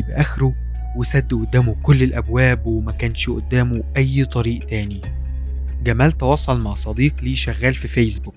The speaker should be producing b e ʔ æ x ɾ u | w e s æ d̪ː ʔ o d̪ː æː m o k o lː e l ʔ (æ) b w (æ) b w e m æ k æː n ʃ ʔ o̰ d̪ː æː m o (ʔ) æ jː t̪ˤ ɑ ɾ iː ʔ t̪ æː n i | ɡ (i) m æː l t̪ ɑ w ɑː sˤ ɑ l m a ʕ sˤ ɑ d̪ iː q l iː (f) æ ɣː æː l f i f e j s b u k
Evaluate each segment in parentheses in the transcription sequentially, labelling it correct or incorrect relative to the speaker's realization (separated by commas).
correct, incorrect, correct, incorrect, incorrect